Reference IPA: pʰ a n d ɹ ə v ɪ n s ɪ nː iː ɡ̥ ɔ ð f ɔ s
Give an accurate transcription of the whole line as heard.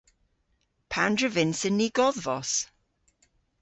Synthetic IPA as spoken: pʰ a n d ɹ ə v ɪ n s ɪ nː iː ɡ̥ ɔ ð v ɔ s